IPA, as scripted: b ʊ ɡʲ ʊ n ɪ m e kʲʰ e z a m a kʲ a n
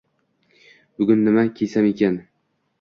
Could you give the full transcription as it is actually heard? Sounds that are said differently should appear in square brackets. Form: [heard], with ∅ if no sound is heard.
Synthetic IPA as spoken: b ʊ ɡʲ ʊ [nː] ɪ m [a] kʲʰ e [s] a m [e] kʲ a n